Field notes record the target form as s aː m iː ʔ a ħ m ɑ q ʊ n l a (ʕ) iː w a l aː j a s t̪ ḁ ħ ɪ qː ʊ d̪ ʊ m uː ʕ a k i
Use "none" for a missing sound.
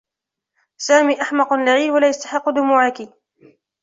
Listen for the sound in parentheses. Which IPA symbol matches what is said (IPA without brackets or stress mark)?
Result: ʕ